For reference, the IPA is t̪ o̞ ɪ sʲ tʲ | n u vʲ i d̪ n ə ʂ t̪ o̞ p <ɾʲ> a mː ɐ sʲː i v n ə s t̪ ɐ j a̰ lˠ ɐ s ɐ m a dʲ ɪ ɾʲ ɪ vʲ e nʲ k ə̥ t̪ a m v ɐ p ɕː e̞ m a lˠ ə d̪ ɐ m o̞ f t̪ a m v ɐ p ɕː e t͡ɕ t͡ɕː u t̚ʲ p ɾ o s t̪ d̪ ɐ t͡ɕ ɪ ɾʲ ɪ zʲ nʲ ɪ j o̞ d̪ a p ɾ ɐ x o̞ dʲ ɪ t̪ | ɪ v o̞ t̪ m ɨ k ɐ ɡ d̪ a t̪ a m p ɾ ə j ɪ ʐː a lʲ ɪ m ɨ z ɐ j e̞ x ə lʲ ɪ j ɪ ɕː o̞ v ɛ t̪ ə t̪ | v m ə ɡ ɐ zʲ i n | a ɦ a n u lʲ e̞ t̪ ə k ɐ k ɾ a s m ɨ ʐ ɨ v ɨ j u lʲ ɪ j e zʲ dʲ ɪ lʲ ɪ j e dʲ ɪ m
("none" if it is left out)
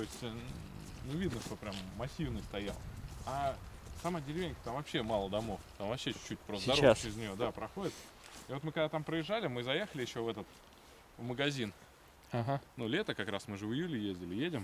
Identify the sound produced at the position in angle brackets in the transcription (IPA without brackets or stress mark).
ɾʲ